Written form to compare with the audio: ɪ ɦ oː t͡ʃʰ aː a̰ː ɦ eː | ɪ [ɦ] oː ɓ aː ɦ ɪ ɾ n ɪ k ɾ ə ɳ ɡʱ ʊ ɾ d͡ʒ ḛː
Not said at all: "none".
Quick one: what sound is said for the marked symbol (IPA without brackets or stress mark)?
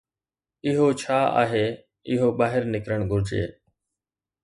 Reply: ɦ